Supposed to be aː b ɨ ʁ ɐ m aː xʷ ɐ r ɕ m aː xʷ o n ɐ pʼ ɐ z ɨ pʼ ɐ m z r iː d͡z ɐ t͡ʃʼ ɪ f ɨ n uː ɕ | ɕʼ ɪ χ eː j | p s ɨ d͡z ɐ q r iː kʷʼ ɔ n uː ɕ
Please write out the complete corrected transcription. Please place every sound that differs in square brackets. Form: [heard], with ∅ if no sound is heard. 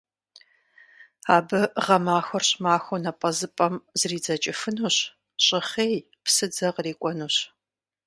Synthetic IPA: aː b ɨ ʁ ɐ m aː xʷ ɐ r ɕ m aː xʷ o n ɐ pʼ ɐ z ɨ pʼ ɐ m z r iː d͡z ɐ t͡ʃʼ ɪ f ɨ n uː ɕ | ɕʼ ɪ χ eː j | p s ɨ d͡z ɐ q r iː kʷʼ ɔ n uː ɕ